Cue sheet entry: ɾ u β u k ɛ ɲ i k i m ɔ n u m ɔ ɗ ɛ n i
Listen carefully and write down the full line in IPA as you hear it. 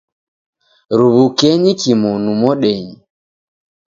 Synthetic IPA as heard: ɾ u β u k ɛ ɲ i k i m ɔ n u m ɔ ɗ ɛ ɲ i